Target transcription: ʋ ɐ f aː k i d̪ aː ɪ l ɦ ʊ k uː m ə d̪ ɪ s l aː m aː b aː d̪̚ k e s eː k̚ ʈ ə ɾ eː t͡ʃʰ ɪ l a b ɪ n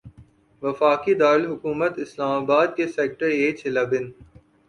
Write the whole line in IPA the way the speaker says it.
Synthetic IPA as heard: ʋ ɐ f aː k i d̪ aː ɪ l ɦ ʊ k uː m ə t̪ ɪ s l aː m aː b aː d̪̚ k e s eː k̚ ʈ ə ɾ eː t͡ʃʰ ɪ l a b ɪ n